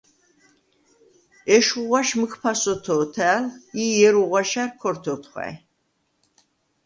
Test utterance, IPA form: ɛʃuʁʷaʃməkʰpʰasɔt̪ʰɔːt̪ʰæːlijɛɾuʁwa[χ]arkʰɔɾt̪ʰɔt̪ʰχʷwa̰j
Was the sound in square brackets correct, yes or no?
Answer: no